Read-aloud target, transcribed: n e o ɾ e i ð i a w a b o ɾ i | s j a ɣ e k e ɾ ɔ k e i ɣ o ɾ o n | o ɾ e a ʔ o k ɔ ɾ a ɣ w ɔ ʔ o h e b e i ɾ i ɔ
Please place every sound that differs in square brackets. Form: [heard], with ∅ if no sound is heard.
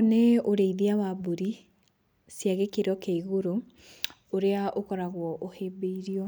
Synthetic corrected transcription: n e o ɾ e i ð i a w a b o ɾ i | s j a ɣ e k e ɾ ɔ k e i ɣ o ɾ o [∅] | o ɾ e a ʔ o k ɔ ɾ a ɣ w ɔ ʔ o h e b e i ɾ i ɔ